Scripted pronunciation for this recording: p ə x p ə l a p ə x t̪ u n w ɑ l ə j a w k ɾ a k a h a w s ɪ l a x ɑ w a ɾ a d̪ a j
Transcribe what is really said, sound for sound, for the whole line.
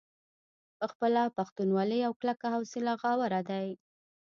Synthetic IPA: p ə x p ə l a p a x t̪ u n w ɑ l ə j a w k l a k a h a w s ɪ l a ɣ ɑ w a ɾ a d̪ a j